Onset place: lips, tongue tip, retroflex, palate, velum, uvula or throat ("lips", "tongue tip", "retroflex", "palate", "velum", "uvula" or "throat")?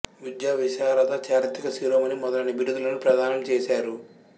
lips